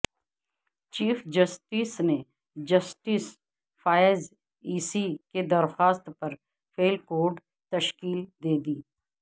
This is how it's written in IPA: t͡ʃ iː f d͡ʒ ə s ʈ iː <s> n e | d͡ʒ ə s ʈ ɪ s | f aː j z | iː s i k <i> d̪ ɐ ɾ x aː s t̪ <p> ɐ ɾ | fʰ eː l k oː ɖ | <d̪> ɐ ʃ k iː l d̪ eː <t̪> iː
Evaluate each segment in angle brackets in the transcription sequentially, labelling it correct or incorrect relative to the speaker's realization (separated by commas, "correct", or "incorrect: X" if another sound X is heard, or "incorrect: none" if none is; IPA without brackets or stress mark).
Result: correct, incorrect: e, correct, incorrect: t̪, incorrect: d̪